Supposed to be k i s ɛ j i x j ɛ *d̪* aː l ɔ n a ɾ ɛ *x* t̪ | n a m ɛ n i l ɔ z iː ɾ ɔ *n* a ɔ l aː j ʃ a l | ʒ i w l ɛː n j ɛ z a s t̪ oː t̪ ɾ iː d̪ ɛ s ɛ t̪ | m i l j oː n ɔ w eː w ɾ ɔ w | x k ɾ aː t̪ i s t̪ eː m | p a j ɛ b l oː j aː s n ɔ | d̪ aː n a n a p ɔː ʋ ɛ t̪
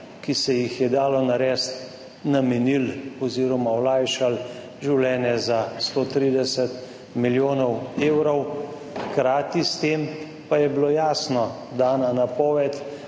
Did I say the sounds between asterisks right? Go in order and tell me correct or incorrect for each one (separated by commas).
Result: correct, incorrect, incorrect